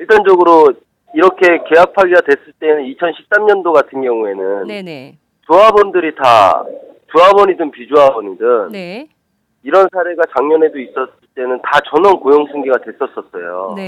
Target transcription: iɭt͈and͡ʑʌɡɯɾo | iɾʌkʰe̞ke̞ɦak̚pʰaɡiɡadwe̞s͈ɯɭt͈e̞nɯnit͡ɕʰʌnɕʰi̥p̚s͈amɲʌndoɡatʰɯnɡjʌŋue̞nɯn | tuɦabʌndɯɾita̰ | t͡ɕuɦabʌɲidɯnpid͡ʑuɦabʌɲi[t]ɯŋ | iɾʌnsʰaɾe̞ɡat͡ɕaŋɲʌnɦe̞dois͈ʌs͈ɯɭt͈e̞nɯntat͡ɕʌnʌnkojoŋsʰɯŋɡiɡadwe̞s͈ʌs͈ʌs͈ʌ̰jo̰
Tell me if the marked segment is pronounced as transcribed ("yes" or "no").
no